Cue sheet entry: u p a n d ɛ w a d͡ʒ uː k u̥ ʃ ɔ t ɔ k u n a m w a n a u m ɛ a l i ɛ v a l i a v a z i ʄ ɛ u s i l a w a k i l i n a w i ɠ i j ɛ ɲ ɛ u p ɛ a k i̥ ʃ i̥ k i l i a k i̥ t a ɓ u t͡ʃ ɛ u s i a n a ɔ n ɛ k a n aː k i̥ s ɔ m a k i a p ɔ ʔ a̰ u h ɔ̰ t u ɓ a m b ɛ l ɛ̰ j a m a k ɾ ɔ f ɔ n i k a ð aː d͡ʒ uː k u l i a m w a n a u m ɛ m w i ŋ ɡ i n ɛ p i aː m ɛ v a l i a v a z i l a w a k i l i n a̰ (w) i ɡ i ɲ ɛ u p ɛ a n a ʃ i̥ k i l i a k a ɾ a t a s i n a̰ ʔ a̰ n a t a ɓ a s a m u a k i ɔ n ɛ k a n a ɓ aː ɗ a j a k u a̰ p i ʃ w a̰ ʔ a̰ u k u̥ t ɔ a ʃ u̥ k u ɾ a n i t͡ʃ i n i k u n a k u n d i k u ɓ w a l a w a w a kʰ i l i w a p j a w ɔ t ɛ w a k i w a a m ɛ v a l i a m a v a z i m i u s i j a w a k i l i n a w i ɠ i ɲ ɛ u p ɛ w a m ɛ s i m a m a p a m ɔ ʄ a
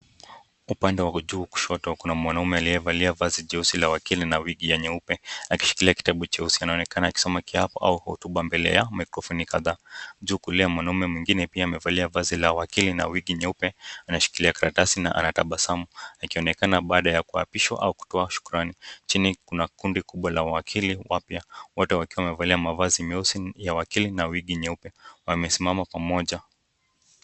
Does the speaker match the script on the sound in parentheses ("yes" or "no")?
yes